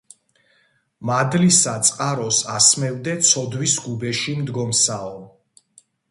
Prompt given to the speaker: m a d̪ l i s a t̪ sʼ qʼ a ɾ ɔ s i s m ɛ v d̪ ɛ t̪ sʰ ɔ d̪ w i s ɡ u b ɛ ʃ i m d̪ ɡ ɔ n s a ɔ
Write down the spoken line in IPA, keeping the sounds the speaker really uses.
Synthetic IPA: m a d̪ l i s a t̪ sʼ qʼ a ɾ ɔ s a s m ɛ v d̪ ɛ t̪ sʰ ɔ d̪ w i s ɡ u b ɛ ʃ i m d̪ ɡ ɔ m s a ɔ